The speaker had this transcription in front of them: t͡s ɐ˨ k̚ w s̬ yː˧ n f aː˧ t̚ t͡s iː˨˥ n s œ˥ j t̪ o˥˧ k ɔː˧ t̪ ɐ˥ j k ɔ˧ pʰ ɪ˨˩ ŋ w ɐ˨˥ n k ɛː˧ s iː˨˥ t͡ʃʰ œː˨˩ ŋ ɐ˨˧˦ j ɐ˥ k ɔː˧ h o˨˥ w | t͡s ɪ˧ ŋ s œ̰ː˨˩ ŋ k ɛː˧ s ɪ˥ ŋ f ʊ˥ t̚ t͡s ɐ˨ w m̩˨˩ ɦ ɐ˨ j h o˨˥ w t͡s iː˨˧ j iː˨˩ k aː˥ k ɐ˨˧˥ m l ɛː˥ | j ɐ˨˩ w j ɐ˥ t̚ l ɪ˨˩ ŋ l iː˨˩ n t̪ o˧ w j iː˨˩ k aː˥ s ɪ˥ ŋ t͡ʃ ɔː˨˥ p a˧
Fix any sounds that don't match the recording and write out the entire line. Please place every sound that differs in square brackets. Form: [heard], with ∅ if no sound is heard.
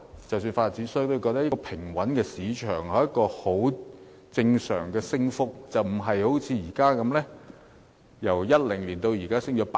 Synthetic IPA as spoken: t͡s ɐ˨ [∅] w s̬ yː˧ n f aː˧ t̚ t͡s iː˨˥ n s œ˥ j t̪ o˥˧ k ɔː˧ t̪ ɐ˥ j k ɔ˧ pʰ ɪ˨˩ ŋ w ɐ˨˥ n k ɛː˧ s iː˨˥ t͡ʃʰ œː˨˩ ŋ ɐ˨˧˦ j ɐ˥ k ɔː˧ h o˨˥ w | t͡s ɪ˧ ŋ s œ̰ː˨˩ ŋ k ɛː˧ s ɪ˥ ŋ f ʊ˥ [k̚] t͡s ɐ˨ w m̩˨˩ ɦ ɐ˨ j h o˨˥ w [t͡sʰ] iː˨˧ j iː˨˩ k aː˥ k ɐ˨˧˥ m l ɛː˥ | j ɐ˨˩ w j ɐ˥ t̚ l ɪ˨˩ ŋ l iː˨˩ n t̪ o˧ w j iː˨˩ k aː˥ s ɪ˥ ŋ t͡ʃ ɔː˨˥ p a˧